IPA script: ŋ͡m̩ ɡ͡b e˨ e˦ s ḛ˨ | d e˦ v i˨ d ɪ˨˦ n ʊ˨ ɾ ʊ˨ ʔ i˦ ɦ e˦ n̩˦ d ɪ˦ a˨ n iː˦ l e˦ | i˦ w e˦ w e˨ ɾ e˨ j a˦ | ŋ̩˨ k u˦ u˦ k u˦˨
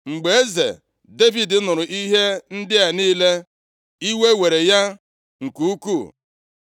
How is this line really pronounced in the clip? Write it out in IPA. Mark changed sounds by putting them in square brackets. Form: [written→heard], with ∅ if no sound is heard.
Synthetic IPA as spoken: ŋ͡m̩ ɡ͡b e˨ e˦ [s→z] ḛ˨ | d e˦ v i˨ d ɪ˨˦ n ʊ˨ ɾ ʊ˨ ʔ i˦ ɦ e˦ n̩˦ d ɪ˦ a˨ n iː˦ l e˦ | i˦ w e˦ w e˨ ɾ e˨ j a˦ | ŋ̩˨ k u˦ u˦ k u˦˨